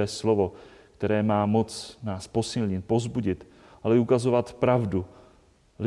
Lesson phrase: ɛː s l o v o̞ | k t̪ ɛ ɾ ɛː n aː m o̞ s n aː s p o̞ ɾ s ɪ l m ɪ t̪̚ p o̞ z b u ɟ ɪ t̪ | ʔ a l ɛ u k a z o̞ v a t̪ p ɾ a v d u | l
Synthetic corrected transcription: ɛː s l o v o̞ | k t̪ ɛ ɾ ɛː m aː m o̞ t͡s n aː s p o̞ s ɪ l ɲ ɪ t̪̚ p o̞ z b u ɟ ɪ t̪ | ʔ a l ɛ u k a z o̞ v a t̪ p ɾ a v d u | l